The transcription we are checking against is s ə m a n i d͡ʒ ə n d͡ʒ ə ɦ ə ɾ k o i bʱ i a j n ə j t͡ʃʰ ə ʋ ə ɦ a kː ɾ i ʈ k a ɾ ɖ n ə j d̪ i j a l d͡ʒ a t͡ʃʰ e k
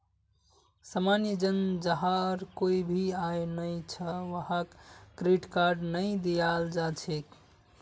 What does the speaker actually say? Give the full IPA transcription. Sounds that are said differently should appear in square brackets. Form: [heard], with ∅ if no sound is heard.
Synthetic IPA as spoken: s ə m a n i d͡ʒ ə n d͡ʒ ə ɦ [a] ɾ k o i bʱ i a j n ə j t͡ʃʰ ə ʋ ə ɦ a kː ɾ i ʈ k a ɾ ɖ n ə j d̪ i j a l d͡ʒ a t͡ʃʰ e k